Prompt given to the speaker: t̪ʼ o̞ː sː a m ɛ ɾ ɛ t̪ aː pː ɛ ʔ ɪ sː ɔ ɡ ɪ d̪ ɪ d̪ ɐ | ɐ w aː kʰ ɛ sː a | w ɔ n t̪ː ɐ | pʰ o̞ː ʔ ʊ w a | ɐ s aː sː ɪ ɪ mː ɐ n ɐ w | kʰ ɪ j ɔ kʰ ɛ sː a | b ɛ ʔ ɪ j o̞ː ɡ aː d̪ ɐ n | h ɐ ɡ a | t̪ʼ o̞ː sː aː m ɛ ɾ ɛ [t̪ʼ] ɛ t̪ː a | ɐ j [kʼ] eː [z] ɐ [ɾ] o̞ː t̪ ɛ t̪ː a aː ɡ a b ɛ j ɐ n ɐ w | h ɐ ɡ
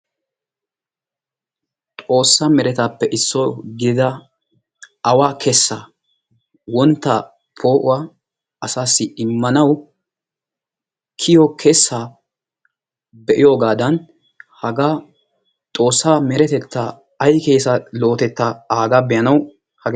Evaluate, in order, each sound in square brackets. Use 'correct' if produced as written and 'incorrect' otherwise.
incorrect, incorrect, incorrect, incorrect

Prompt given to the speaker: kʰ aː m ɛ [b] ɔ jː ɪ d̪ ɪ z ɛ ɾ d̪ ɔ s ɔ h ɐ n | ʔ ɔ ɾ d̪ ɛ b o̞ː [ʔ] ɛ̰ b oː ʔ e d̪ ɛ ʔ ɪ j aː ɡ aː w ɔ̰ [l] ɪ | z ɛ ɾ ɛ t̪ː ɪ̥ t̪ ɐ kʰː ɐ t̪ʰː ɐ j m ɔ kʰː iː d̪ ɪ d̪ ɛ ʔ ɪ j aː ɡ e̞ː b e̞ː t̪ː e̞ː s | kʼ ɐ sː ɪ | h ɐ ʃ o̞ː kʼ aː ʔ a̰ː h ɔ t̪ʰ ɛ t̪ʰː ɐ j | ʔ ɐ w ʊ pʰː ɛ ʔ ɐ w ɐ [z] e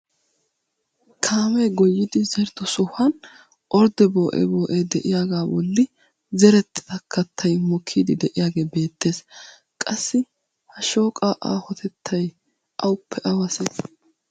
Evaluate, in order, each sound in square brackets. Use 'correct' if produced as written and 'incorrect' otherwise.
incorrect, correct, incorrect, incorrect

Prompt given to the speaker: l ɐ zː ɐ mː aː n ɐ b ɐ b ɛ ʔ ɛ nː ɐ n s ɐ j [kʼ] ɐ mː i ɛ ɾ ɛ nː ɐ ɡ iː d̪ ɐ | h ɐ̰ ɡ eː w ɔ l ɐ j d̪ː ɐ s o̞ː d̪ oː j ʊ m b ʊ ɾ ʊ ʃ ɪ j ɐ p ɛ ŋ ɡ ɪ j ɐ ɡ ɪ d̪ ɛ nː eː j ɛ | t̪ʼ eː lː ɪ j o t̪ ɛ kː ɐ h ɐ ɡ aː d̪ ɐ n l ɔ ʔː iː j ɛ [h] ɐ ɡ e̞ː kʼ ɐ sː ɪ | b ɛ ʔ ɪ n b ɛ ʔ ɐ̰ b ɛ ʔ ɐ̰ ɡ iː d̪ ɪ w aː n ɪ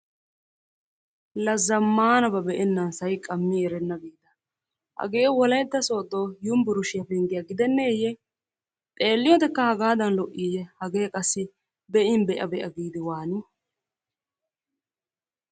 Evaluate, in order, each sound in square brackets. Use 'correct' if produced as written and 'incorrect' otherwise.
correct, correct

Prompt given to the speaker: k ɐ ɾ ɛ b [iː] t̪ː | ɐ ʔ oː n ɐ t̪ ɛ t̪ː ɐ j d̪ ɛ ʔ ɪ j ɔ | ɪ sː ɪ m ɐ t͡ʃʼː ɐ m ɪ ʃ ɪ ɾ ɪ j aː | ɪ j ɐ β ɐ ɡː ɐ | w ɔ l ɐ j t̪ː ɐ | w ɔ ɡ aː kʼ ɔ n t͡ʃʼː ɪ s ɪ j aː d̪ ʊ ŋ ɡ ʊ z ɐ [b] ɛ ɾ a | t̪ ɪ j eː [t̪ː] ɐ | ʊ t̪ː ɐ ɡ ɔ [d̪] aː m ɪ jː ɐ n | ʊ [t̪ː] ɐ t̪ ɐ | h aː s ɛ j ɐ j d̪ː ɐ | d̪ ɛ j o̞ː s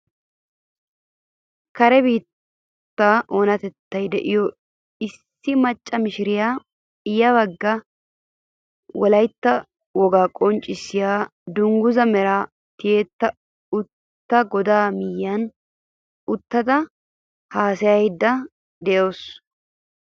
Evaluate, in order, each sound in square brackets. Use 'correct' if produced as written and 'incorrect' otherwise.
correct, incorrect, correct, correct, correct

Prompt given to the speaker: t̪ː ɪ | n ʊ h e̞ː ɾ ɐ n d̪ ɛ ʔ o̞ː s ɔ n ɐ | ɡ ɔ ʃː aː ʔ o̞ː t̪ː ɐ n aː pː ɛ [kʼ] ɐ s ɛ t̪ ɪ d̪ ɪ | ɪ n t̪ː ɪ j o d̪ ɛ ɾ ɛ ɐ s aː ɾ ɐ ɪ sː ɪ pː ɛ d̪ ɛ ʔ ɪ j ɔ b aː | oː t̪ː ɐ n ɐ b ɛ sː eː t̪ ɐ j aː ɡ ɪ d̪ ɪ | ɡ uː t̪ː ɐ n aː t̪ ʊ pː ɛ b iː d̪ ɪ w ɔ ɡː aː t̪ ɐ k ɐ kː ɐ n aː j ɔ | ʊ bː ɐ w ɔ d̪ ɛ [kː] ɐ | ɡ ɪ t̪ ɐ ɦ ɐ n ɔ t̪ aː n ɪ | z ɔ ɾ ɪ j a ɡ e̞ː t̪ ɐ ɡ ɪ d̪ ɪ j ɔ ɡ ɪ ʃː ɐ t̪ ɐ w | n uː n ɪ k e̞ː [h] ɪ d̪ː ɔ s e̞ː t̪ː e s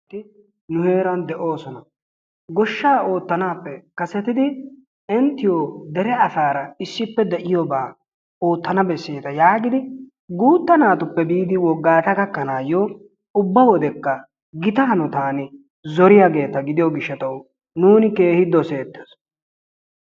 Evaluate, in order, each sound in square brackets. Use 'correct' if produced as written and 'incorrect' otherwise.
incorrect, correct, correct

